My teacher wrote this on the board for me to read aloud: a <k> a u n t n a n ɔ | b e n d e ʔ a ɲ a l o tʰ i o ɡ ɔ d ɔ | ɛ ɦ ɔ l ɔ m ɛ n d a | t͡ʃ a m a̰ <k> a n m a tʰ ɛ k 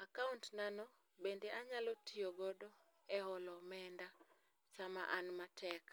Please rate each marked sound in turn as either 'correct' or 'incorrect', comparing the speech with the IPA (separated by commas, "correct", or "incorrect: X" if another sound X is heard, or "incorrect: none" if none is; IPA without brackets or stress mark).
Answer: correct, incorrect: ʔ